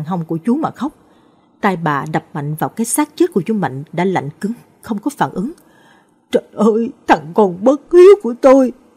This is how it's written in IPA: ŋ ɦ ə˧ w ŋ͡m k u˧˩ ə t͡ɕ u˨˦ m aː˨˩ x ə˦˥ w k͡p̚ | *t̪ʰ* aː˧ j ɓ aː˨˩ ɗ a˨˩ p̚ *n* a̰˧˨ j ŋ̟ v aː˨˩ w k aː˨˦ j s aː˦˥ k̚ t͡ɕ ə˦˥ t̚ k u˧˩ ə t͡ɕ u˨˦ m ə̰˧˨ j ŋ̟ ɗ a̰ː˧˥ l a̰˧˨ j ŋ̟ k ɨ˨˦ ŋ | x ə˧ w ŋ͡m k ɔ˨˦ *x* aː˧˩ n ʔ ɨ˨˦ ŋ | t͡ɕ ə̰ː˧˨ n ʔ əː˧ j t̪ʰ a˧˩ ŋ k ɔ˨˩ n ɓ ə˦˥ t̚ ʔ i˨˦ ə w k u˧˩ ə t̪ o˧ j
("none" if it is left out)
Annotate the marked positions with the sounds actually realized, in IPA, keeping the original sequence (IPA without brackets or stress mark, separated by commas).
t̪, m, f